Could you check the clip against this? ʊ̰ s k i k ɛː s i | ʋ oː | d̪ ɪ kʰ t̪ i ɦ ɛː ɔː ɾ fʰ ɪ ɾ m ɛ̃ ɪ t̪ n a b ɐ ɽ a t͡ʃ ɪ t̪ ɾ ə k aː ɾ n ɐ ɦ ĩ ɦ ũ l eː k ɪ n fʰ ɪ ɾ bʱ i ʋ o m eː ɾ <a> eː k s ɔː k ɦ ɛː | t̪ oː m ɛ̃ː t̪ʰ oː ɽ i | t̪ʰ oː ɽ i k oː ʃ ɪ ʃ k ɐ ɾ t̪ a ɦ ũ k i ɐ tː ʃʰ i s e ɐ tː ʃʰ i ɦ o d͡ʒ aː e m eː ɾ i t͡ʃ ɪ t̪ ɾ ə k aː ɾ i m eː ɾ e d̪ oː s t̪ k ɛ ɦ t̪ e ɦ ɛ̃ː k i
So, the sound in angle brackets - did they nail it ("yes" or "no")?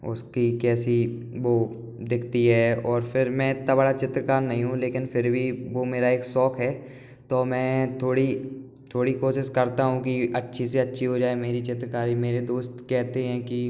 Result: yes